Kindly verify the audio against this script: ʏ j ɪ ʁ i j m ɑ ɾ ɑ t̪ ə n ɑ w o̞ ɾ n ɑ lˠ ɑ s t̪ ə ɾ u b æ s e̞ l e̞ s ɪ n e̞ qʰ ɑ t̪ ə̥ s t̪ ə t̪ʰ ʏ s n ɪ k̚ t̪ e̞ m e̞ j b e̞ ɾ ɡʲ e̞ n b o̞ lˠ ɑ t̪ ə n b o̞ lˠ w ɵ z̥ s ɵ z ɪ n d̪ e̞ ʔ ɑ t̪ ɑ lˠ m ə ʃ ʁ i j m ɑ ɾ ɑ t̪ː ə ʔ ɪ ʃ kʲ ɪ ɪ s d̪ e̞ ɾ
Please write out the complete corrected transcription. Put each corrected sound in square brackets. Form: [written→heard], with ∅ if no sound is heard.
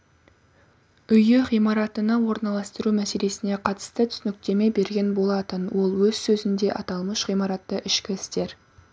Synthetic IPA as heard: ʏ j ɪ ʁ i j m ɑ ɾ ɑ t̪ ə n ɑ w o̞ ɾ n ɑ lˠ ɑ s t̪ ə ɾ u [b→m] æ s e̞ l e̞ s ɪ n e̞ qʰ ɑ t̪ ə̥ s t̪ ə t̪ʰ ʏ s n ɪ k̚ t̪ e̞ m e̞ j b e̞ ɾ ɡʲ e̞ n b o̞ lˠ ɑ t̪ ə n [b→w] o̞ lˠ w ɵ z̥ s ɵ z ɪ n d̪ e̞ ʔ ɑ t̪ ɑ lˠ m ə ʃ ʁ i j m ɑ ɾ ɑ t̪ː ə ʔ ɪ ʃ kʲ ɪ ɪ s [d̪→t̪] e̞ ɾ